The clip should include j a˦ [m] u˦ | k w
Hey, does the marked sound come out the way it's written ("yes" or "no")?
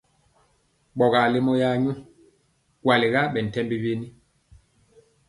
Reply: no